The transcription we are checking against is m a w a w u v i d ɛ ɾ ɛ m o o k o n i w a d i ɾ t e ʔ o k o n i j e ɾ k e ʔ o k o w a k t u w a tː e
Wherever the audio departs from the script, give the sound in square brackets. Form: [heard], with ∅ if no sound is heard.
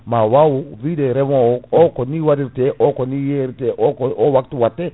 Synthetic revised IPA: m a w a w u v i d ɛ ɾ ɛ m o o k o n i w a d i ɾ t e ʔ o k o n i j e ɾ [t] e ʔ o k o w a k t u w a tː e